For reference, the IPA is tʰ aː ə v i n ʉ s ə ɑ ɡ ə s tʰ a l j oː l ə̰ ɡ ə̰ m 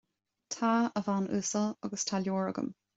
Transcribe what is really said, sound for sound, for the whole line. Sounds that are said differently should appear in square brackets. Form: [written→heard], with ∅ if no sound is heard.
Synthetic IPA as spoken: tʰ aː ə v [i→a] n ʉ s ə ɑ ɡ ə s tʰ a l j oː [l→ɹ] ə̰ ɡ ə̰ m